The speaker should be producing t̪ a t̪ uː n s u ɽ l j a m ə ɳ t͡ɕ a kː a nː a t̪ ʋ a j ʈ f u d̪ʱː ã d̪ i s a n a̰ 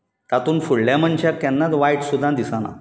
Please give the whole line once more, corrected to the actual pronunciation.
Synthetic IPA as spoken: t̪ a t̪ uː n f u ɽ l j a m ə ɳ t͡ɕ a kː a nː a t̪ ʋ a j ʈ s u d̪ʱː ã d̪ i s a n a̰